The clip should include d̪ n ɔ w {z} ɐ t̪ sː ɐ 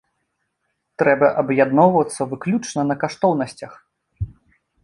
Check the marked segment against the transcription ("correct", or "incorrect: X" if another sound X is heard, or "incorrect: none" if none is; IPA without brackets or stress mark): incorrect: v